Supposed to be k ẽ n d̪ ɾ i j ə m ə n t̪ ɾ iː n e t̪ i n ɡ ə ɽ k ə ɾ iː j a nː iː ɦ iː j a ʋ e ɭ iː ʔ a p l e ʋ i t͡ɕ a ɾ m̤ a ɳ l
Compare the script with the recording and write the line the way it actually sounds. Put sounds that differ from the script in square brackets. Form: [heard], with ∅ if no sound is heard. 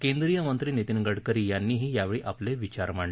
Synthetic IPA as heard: k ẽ n d̪ ɾ i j ə m ə n t̪ ɾ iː n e t̪ i n ɡ ə ɽ k ə ɾ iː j a nː iː ɦ iː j a ʋ e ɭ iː ʔ a p l e ʋ i t͡ɕ a ɾ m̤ a ɳ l